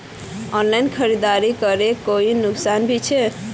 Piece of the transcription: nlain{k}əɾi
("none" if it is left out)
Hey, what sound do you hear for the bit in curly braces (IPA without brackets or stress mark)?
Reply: kʰ